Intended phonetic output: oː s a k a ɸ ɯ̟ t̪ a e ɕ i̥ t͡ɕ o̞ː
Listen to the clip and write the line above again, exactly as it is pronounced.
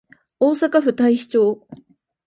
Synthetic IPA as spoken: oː s a k a ɸ ɯ̟ t̪ a i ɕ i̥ t͡ɕ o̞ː